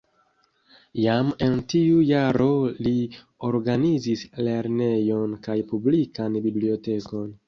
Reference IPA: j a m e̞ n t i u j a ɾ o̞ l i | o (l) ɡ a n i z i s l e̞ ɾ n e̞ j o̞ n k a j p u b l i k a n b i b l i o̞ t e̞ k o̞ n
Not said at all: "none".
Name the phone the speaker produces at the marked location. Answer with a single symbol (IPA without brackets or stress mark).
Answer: ɾ